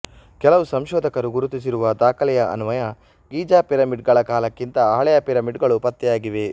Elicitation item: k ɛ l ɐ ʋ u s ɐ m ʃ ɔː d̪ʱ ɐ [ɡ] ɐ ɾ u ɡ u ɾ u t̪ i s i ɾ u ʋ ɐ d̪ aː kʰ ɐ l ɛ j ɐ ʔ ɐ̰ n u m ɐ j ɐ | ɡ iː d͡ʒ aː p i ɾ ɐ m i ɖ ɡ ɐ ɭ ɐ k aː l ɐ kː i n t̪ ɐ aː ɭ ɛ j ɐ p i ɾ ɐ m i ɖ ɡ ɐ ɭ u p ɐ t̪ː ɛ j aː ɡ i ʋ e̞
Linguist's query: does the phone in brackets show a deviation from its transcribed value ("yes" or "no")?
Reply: yes